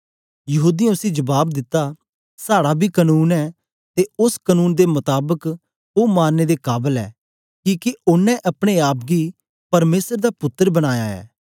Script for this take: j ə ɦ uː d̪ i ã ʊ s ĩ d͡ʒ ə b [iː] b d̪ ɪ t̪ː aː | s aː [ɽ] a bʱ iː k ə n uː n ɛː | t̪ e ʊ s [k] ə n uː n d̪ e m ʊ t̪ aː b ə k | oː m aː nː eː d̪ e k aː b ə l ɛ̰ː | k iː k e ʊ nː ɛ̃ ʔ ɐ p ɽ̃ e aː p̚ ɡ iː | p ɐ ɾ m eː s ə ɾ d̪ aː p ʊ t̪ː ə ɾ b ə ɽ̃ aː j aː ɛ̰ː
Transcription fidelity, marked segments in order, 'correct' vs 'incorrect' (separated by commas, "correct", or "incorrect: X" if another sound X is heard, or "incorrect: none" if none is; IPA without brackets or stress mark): incorrect: aː, correct, correct